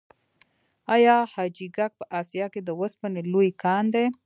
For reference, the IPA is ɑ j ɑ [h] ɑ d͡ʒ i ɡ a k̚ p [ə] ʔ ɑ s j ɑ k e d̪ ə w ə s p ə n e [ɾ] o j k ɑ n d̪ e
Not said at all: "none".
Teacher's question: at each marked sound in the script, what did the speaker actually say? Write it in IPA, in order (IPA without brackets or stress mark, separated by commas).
h, ə, l